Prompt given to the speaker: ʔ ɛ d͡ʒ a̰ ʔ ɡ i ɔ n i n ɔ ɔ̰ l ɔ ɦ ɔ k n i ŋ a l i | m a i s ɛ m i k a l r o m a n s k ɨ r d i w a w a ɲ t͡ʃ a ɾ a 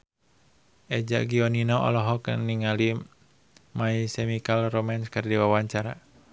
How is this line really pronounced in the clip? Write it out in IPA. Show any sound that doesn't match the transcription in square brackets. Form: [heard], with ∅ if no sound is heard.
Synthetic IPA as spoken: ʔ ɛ d͡ʒ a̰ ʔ ɡ i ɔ n i n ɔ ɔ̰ l ɔ ɦ ɔ k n i ŋ a l i | m a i s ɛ m i k a l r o m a n s k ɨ r d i w a w a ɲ t͡ʃ a ɾ a

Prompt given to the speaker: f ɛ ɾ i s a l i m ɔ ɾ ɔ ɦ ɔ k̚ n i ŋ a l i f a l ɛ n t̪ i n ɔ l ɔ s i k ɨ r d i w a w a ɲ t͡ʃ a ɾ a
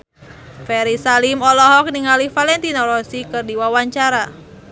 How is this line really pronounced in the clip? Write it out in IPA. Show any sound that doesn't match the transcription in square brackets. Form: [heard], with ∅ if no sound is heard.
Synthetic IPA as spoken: f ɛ ɾ i s a l i m ɔ [l] ɔ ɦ ɔ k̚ n i ŋ a l i f a l ɛ n t̪ i n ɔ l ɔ s i k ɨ r d i w a w a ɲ t͡ʃ a ɾ a

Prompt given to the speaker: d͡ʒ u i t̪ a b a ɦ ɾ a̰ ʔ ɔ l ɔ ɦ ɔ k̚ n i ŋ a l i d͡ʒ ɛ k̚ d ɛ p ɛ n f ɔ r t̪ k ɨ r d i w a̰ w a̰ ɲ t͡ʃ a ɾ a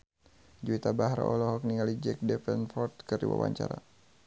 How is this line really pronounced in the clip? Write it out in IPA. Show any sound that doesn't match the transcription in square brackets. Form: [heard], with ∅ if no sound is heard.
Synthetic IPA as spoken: d͡ʒ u i t̪ a b a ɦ ɾ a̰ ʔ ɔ l ɔ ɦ ɔ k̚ n i ŋ a l i d͡ʒ ɛ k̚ d ɛ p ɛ n f ɔ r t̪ k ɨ r d i w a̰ w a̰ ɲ t͡ʃ a ɾ a

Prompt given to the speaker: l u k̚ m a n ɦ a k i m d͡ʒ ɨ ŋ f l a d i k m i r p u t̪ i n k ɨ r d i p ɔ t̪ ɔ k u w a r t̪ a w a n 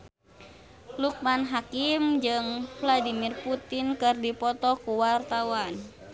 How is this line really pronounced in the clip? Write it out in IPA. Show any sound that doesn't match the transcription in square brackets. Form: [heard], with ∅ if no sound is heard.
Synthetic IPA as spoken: l u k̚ m a n ɦ a k i m d͡ʒ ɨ ŋ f l a d i [∅] m i r p u t̪ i n k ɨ r d i p ɔ t̪ ɔ k u w a r t̪ a w a n

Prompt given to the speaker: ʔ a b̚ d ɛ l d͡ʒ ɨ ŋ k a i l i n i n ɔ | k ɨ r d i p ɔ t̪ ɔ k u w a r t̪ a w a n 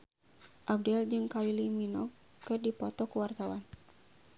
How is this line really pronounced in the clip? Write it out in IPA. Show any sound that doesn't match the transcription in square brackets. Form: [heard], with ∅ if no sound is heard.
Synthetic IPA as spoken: ʔ a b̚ d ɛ l d͡ʒ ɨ ŋ k a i l i [m] i n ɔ | k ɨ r d i p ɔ t̪ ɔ k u w a r t̪ a w a n

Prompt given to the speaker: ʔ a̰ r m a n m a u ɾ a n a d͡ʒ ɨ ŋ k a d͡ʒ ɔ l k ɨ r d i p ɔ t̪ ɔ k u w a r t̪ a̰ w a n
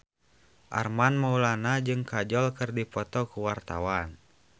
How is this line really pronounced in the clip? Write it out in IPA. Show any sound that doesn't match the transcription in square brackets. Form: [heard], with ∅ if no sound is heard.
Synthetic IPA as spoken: ʔ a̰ r m a n m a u [l] a n a d͡ʒ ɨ ŋ k a d͡ʒ ɔ l k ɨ r d i p ɔ t̪ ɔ k u w a r t̪ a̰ w a n

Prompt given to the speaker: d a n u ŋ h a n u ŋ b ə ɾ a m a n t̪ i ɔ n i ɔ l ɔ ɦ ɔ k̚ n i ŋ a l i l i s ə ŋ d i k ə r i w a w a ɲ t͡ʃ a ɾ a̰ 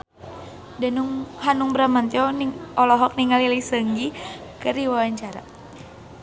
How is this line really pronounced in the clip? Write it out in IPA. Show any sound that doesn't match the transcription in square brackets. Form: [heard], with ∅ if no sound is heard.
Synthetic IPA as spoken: d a n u ŋ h a n u ŋ b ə ɾ a m a n t̪ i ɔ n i ɔ l ɔ ɦ ɔ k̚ n i ŋ a l i l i s ə ŋ [ɡ] i k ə r i w a w a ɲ t͡ʃ a ɾ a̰

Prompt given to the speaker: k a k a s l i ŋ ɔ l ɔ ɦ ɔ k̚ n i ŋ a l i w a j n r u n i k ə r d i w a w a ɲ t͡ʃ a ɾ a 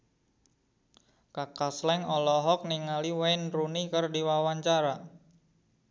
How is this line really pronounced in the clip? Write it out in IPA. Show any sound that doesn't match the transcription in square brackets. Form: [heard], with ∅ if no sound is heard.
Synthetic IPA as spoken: k a k a s l [ɛ] ŋ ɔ l ɔ ɦ ɔ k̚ n i ŋ a l i w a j n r u n i k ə r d i w a w a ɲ t͡ʃ a ɾ a

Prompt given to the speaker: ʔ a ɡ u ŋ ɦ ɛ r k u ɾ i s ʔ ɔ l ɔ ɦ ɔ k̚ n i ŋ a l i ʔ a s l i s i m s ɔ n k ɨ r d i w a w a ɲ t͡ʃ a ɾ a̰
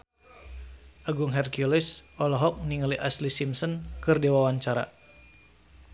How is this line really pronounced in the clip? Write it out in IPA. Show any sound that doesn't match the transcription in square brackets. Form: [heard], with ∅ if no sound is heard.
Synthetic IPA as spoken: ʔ a ɡ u ŋ ɦ ɛ r k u [l] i s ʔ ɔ l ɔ ɦ ɔ k̚ n i ŋ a l i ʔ a s l i s i m s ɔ n k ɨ r d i w a w a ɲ t͡ʃ a ɾ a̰

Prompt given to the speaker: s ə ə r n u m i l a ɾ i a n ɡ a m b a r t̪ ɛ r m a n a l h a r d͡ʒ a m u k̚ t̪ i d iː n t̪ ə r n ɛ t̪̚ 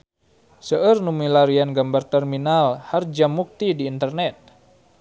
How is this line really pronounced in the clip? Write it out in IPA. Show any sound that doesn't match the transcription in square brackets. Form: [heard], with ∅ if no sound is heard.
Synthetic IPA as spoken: s ə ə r n u m i l a ɾ i a n ɡ a m b a r t̪ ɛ r m [i] n a l h a r d͡ʒ a m u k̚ t̪ i d iː n t̪ ə r n ɛ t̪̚

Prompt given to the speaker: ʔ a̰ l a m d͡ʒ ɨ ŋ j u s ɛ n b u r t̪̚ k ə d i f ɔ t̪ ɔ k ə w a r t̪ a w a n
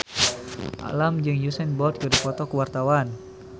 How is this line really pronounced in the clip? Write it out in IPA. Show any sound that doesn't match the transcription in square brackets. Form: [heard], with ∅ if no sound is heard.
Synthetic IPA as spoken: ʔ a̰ l a m d͡ʒ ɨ ŋ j u s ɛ n b [ɔ] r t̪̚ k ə d i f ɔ t̪ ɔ k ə w a r t̪ a w a n

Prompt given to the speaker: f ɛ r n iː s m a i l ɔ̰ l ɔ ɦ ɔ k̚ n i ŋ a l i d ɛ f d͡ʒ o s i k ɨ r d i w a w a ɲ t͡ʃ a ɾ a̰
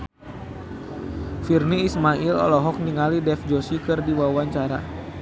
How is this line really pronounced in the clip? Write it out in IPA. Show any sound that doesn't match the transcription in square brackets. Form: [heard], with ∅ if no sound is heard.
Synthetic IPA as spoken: f [i] r n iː s m a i l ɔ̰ l ɔ ɦ ɔ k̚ n i ŋ a l i d ɛ f d͡ʒ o s i k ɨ r d i w a w a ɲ t͡ʃ a ɾ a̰

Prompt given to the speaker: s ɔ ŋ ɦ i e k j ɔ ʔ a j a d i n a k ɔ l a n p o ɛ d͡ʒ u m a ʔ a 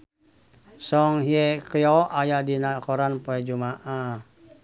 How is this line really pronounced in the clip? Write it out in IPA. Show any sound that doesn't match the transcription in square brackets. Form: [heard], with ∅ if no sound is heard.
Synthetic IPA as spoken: s ɔ ŋ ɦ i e k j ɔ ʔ a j a d i n a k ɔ [ɾ] a n p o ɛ d͡ʒ u m a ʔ a

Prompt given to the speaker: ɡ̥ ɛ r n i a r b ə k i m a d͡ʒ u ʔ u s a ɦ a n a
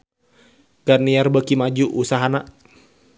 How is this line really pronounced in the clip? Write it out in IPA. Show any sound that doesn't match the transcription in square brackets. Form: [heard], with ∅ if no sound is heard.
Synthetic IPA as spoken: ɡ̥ [a] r n i a r b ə k i m a d͡ʒ u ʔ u s a ɦ a n a

